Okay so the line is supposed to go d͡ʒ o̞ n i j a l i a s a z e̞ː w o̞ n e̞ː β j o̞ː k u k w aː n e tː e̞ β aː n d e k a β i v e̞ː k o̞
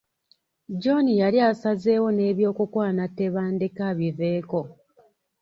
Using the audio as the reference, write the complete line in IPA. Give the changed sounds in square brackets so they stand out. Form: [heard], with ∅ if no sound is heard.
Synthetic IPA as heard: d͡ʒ o̞ n i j a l i a s a z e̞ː w o̞ n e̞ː β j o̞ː k u k w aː n [a] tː e̞ β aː n d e k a β i v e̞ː k o̞